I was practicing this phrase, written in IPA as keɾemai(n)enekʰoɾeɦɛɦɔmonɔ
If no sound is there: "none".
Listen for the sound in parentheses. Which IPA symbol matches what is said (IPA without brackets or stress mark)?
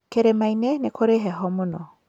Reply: n